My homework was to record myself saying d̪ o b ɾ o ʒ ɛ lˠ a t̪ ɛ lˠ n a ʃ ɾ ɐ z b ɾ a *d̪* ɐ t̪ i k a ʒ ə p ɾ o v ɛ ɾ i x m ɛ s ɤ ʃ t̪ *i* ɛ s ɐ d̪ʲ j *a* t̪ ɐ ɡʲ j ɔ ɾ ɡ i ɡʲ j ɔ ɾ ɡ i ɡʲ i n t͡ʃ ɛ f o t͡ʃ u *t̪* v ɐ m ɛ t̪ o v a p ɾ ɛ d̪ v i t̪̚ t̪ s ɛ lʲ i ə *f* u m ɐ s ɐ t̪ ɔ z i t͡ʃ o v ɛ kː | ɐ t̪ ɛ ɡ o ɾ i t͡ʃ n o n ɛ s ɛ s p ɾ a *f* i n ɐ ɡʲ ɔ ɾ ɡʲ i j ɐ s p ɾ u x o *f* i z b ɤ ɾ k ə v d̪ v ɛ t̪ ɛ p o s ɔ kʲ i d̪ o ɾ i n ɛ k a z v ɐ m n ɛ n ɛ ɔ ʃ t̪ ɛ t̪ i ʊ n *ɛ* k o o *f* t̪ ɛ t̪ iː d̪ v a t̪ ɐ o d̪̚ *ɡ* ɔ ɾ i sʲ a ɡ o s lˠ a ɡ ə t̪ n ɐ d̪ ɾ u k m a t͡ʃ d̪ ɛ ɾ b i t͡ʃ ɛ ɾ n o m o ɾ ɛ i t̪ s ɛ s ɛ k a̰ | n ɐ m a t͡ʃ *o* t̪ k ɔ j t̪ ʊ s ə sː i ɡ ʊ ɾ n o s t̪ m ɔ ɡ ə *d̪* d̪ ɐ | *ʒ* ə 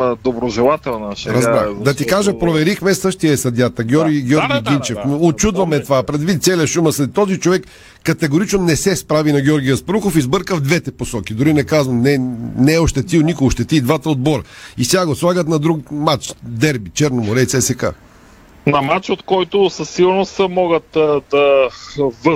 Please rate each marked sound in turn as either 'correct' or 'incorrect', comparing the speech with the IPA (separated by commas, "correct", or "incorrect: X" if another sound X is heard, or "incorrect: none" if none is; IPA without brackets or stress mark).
correct, correct, correct, incorrect: d̪, incorrect: ʃ, incorrect: v, correct, incorrect: i, incorrect: ʃ, incorrect: b, correct, incorrect: t̪, incorrect: v